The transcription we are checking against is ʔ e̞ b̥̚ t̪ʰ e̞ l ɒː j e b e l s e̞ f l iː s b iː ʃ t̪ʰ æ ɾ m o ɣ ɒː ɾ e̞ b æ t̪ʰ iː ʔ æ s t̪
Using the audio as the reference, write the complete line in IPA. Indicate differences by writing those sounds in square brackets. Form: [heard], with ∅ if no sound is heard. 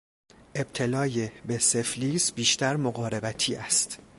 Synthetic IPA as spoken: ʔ e̞ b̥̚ t̪ʰ e̞ l ɒː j e b e [∅] s e̞ f l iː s b iː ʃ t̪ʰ æ ɾ m o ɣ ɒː ɾ e̞ b æ t̪ʰ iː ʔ æ s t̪